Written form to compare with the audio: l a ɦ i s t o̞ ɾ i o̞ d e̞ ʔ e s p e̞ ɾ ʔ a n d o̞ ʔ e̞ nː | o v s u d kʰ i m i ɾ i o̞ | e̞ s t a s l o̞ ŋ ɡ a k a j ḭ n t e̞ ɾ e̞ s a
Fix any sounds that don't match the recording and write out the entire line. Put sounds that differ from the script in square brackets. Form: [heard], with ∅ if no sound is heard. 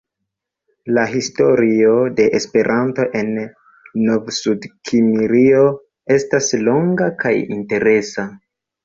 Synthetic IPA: l a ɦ i s t o̞ ɾ i o̞ d e̞ ʔ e s p e̞ ɾ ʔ a n [t] o̞ ʔ e̞ nː | o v s u d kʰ i m i ɾ i o̞ | e̞ s t a s l o̞ ŋ ɡ a k a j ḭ n t e̞ ɾ e̞ s a